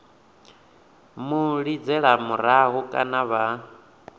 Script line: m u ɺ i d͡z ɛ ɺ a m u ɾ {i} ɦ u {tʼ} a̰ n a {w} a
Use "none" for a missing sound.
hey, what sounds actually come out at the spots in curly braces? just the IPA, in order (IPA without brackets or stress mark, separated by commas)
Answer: a, kʼ, β